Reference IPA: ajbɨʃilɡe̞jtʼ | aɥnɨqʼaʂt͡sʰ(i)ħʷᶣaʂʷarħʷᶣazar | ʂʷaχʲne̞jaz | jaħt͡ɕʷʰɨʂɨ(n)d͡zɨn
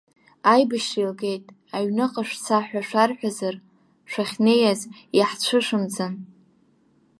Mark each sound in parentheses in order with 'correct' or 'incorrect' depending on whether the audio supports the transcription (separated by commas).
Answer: incorrect, incorrect